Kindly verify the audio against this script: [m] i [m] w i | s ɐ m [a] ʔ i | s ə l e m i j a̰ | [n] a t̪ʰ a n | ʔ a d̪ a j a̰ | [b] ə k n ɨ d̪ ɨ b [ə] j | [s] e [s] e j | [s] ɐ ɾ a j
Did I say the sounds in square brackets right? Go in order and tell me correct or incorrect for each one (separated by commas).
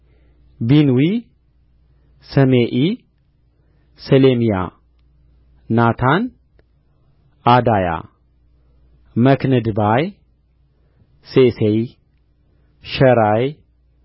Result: incorrect, incorrect, incorrect, correct, incorrect, incorrect, correct, correct, incorrect